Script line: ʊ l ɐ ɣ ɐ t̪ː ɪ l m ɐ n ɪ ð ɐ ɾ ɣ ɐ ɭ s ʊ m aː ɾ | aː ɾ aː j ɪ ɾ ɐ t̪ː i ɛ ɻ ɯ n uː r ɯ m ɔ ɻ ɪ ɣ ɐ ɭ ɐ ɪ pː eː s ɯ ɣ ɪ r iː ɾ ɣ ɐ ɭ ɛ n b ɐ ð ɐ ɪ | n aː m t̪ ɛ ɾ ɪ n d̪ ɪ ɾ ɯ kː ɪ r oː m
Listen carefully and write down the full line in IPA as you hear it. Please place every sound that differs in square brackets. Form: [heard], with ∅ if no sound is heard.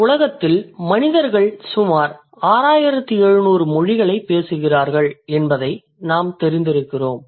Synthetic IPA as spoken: ʊ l ɐ ɣ ɐ t̪ː ɪ l m ɐ n ɪ ð ɐ ɾ ɣ ɐ ɭ s ʊ m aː ɾ | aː ɾ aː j ɪ ɾ ɐ t̪ː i ɛ ɻ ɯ n uː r ɯ m ɔ ɻ ɪ ɣ ɐ ɭ ɐ ɪ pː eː s ɯ ɣ ɪ r [aː] ɾ ɣ ɐ ɭ ɛ n b ɐ ð ɐ ɪ | n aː m t̪ ɛ ɾ ɪ n d̪ ɪ ɾ ɯ kː ɪ r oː m